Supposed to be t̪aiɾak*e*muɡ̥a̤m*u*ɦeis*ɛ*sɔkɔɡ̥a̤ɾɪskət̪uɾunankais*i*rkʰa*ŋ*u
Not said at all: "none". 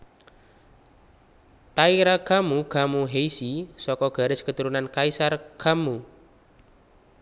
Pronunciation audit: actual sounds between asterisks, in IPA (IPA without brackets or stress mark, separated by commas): a, u, i, a, m